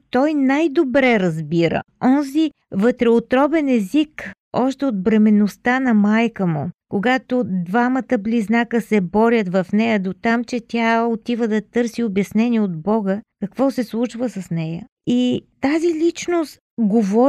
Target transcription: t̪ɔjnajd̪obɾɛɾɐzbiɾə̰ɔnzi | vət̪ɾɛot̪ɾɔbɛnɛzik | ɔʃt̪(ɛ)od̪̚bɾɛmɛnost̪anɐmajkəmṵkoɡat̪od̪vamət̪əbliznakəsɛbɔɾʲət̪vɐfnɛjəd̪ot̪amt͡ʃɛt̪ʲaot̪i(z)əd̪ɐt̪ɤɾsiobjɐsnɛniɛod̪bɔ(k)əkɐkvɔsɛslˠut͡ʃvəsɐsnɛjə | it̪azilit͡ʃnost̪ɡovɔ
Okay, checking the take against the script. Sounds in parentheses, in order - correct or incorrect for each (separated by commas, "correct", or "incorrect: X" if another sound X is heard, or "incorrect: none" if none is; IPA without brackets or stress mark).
correct, incorrect: v, incorrect: ɡ